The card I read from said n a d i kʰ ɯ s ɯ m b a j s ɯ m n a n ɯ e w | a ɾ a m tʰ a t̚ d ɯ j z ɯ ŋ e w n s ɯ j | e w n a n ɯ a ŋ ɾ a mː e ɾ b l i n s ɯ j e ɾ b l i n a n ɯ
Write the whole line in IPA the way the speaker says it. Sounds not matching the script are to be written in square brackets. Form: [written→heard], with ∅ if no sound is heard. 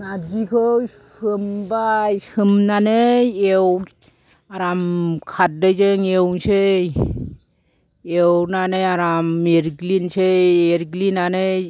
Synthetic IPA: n a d i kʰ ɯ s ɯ m b a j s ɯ m n a n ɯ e w | a ɾ a m [tʰ→kʰ] a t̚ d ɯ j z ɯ ŋ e w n s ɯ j | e w n a n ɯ a [ŋ→∅] ɾ a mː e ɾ [b→ɡ] l i n s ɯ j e ɾ [b→ɡ] l i n a n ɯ